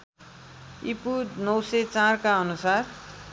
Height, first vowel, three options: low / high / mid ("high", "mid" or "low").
high